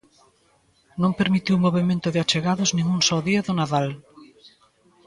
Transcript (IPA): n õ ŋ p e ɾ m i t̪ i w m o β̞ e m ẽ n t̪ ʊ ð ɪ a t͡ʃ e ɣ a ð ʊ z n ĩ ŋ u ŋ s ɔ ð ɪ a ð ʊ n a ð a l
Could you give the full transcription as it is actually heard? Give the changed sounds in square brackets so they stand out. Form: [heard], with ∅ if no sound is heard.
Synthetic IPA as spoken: n õ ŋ p e ɾ m i t̪ i w m o β̞ e m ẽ n t̪ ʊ ð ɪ a t͡ʃ e ɣ a ð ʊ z n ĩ ŋ u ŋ s ɔ ð [i] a ð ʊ n a ð a l